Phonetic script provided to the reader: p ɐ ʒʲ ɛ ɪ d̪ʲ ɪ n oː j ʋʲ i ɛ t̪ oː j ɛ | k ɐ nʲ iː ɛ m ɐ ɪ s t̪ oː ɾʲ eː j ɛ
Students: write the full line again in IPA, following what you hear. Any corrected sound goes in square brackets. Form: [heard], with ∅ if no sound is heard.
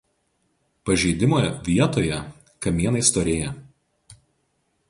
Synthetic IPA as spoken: p ɐ ʒʲ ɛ ɪ d̪ʲ ɪ [m] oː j ʋʲ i ɛ t̪ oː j ɛ | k ɐ [mʲ] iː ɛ [n] ɐ ɪ s t̪ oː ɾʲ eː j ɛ